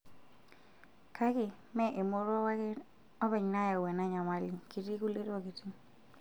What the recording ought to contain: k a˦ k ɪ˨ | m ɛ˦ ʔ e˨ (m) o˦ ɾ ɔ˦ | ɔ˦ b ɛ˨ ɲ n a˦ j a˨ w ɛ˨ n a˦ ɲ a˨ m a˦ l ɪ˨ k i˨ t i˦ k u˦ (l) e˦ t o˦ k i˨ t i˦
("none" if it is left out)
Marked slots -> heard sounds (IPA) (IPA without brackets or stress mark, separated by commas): m, l